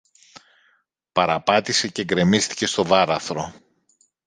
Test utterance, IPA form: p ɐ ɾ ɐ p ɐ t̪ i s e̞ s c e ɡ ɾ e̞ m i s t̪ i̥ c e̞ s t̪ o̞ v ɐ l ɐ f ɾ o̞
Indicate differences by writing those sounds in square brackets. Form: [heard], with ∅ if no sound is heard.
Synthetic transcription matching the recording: p ɐ ɾ ɐ p ɐ t̪ i s e̞ [∅] c e ɡ ɾ e̞ m i s t̪ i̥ c e̞ s t̪ o̞ v ɐ [ɾ] ɐ [θ] ɾ o̞